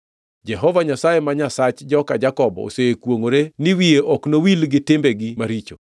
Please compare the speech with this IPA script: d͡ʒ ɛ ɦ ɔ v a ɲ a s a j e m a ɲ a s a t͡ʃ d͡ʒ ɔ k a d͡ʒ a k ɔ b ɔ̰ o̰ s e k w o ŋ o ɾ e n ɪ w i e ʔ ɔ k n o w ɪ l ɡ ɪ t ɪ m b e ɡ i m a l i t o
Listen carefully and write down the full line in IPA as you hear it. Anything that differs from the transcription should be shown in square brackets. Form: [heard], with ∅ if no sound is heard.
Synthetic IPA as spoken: d͡ʒ ɛ ɦ ɔ v a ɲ a s a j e m a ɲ a s a t͡ʃ d͡ʒ ɔ k a d͡ʒ a k ɔ b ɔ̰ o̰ s e k w o ŋ o ɾ e n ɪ w i e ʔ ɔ k n o w [i] l ɡ ɪ t ɪ m b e ɡ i m a [ɾ] i [t͡ʃ] o